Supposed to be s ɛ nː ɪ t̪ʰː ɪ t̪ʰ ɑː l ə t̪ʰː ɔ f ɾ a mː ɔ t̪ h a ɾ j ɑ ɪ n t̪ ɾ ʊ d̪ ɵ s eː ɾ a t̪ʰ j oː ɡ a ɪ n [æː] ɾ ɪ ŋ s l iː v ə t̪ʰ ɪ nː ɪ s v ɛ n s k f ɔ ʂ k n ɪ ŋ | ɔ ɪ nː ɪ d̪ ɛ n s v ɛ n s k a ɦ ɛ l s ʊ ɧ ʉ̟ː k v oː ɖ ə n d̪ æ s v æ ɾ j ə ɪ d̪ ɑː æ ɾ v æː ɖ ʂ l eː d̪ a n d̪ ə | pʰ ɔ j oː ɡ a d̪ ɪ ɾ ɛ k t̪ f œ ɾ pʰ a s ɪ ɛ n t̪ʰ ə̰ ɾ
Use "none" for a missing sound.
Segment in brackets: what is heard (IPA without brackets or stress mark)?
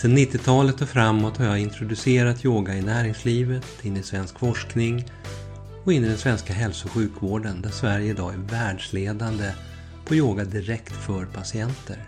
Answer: æː